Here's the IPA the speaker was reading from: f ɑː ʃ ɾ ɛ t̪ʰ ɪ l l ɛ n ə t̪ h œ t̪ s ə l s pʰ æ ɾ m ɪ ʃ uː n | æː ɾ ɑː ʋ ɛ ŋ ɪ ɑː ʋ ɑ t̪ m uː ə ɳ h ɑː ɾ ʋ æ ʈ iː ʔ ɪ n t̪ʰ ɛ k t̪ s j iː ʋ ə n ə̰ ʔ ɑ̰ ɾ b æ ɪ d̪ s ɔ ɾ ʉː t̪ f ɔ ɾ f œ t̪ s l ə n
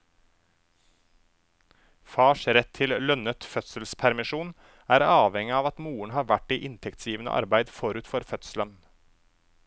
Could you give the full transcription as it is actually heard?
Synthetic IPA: f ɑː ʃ ɾ ɛ t̪ʰ ɪ l l œ n ə t̪ f œ t̪ s ə l s pʰ æ ɾ m ɪ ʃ uː n | æː ɾ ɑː ʋ ɛ ŋ ɪ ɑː ʋ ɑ t̪ m uː ə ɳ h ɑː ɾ ʋ æ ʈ iː ʔ ɪ n t̪ʰ ɛ k t̪ s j iː ʋ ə n ə̰ ʔ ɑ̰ ɾ b æ ɪ d̪ f ɔ ɾ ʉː t̪ f ɔ ɾ f œ t̪ s l ə n